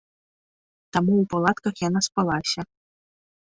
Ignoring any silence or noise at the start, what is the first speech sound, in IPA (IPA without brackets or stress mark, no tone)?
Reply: t̪